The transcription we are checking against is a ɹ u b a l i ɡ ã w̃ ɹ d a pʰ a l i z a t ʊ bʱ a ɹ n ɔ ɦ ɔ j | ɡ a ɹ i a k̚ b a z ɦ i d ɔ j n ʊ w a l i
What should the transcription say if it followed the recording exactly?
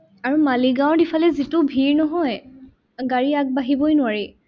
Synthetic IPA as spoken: a ɹ u m a l i ɡ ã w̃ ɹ d i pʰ a l ɛ z i t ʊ bʱ i ɹ n ɔ ɦ ɔ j | ɡ a ɹ i a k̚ b a ɦ i b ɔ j n ʊ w a ɹ i